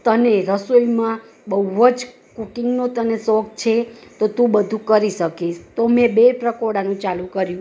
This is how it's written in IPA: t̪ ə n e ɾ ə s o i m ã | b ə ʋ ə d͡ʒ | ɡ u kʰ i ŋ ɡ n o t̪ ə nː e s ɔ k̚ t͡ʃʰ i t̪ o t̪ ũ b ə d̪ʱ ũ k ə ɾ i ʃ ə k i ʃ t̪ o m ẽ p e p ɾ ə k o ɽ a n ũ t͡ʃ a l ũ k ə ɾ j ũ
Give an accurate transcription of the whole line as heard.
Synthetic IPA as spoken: t̪ ə n e ɾ ə s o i m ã | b ə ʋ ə d͡ʒ | k u k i ŋ ɡ n o t̪ ə n e s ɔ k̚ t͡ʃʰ e t̪ o t̪ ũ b ə d̪ʱ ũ k ə ɾ i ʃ ə k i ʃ t̪ o m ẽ b e p ɾ ə k o ɽ a n ũ t͡ʃ a l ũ k ə ɾ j ũ

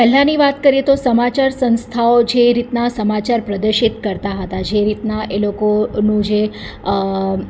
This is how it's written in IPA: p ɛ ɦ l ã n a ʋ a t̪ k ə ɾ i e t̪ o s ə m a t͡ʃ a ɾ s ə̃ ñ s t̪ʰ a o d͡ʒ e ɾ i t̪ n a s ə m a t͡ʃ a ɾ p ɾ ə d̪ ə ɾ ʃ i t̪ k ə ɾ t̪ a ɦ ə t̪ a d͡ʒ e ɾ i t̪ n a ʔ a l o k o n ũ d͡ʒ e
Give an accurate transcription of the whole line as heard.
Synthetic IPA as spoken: p ɛ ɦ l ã n i ʋ a t̪ k ə ɾ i e t̪ o s ə m a t͡ʃ a ɾ s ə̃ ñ s t̪ʰ a o d͡ʒ e ɾ i t̪ n a s ə m a t͡ʃ a ɾ p ɾ ə d̪ ə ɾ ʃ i t̪ k ə ɾ t̪ a ɦ ə t̪ a d͡ʒ e ɾ i t̪ n a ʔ e l o k o n ũ d͡ʒ e

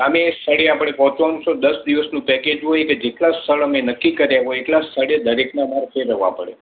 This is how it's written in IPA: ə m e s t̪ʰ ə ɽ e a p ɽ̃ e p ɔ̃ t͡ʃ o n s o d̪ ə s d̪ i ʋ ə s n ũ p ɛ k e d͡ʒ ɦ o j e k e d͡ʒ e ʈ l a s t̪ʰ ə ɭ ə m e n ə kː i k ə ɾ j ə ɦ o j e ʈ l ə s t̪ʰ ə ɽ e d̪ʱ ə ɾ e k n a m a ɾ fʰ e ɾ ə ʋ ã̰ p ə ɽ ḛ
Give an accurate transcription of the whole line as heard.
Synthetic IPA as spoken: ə m e s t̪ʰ ə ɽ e a p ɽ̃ e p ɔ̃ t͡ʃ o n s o d̪ ə s d̪ i ʋ ə s n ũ p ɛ k e d͡ʒ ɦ o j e k e d͡ʒ e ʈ l a s t̪ʰ ə ɭ ə m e n ə kː i k ə ɾ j a ɦ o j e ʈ l a s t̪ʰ ə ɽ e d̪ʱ ə ɾ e k n a m a ɾ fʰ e ɾ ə ʋ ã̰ p ə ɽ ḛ

